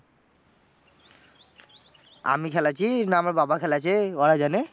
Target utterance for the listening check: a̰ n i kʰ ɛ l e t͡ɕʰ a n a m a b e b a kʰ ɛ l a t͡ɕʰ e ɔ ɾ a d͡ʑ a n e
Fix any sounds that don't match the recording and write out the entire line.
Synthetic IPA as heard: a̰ m i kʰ ɛ l a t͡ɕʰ i n a m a b a b a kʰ ɛ l a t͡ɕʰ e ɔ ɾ a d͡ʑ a n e